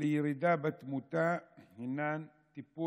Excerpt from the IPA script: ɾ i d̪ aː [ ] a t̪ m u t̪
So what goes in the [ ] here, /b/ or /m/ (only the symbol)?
b